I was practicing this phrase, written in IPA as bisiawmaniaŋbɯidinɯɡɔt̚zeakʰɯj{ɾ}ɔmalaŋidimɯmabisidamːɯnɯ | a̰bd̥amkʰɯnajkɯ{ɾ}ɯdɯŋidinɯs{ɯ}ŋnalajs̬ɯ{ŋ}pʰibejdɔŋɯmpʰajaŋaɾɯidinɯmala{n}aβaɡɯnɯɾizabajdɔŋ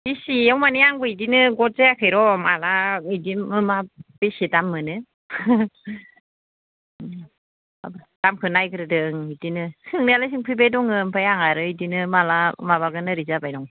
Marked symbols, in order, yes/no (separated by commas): yes, yes, yes, yes, no